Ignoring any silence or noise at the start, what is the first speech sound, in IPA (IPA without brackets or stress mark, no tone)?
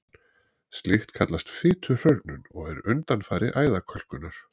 s